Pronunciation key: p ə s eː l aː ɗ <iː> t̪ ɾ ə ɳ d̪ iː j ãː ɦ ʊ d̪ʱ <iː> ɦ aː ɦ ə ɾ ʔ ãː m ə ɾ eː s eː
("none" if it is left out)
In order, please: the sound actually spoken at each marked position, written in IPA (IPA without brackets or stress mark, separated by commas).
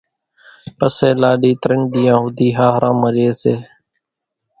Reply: iː, iː